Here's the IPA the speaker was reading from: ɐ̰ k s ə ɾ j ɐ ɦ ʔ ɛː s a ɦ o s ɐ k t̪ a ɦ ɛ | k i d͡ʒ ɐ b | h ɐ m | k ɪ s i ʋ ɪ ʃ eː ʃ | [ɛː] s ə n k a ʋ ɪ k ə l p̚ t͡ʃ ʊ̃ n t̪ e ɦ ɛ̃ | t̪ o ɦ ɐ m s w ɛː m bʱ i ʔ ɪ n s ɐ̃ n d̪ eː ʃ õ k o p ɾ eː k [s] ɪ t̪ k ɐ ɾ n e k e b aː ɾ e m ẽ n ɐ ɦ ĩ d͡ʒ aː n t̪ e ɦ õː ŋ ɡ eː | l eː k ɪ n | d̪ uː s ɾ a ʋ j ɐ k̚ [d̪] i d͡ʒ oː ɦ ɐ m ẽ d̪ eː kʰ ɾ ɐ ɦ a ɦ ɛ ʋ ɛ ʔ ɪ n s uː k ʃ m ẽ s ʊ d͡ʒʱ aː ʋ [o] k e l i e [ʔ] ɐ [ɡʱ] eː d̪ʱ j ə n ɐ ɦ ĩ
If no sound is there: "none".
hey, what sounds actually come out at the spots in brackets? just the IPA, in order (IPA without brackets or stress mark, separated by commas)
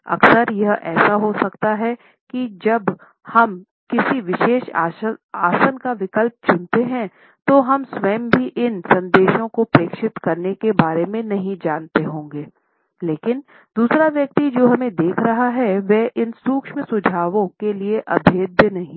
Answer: aː, ʃ, t̪, õ, ʔ, bʱ